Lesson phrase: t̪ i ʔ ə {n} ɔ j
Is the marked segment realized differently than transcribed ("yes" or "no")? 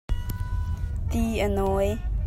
no